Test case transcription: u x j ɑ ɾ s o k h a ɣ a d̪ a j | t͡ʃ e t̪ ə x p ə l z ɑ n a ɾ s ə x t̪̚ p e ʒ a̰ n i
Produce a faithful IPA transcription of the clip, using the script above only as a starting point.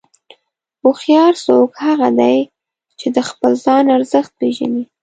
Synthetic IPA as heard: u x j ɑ ɾ s o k h a ɣ a d̪ a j | t͡ʃ e d̪ ə x p ə l z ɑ n a ɾ z ə x t̪̚ p e ʒ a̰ n i